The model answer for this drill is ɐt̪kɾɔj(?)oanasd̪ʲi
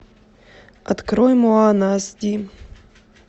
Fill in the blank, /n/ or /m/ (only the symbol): m